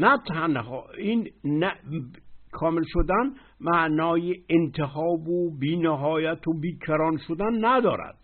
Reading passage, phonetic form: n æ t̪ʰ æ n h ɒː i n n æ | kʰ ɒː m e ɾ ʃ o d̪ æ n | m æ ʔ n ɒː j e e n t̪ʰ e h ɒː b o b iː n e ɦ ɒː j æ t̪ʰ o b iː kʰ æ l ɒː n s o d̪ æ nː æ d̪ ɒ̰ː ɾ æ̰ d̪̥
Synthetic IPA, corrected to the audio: n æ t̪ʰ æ n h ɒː i n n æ | kʰ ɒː m e l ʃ o d̪ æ n | m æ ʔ n ɒː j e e n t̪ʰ e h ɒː b o b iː n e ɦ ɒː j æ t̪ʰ o b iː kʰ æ ɾ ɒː n ʃ o d̪ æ nː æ d̪ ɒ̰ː ɾ æ̰ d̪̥